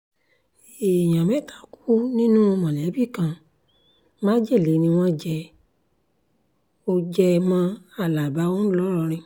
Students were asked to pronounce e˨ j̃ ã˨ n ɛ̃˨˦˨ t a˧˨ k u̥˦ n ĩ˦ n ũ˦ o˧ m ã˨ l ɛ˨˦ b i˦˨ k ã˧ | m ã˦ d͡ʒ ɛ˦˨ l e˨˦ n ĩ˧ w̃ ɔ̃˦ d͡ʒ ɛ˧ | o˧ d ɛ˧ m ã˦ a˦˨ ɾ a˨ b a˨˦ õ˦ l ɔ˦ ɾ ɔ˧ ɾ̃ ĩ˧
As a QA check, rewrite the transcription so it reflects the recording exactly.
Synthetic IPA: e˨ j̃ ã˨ m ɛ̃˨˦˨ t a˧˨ k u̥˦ n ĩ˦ n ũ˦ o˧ m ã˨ l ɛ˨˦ b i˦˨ k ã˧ | m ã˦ d͡ʒ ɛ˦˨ l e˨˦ n ĩ˧ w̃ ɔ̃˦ d͡ʒ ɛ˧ | o˧ d͡ʒ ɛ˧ m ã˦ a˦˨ l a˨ b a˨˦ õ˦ l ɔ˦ ɾ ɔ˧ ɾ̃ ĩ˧